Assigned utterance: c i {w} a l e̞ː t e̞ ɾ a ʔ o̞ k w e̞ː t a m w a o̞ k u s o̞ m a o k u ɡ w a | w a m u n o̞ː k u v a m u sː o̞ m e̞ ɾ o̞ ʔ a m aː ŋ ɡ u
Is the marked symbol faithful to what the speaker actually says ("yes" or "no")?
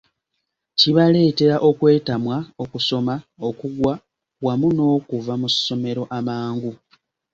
no